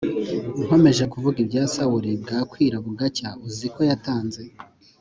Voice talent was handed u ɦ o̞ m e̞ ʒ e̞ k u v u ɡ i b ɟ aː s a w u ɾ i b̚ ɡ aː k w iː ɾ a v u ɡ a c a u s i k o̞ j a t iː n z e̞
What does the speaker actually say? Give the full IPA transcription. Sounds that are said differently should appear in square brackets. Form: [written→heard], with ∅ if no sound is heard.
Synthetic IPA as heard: u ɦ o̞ m e̞ ʒ e̞ k u v u ɡ i b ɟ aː s a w u ɾ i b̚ ɡ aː k w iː ɾ a [v→β] u ɡ a c a u [s→z] i k o̞ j a t [iː→aː] n z e̞